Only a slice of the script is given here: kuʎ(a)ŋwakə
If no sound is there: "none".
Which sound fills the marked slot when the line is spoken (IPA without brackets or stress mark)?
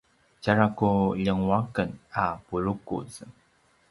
ə